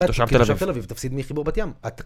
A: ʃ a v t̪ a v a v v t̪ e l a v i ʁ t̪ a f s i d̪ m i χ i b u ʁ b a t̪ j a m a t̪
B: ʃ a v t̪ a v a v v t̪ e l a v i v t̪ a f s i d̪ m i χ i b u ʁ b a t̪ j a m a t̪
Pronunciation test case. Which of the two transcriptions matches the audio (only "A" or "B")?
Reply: B